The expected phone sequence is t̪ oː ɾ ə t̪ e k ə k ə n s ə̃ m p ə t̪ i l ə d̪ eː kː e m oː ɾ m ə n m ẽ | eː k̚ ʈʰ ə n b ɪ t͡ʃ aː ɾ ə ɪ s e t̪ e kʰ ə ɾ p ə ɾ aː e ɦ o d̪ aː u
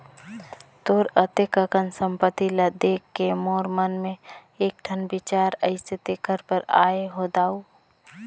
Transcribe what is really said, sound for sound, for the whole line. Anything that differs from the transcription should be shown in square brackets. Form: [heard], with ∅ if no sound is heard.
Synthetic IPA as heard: t̪ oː ɾ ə t̪ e k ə k ə n s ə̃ m p ə t̪ i l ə d̪ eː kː e m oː ɾ m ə n m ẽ | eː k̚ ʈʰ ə n b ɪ t͡ʃ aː ɾ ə ɪ s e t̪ e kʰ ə ɾ p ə ɾ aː e ɦ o d̪ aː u